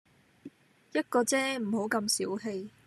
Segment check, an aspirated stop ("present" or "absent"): absent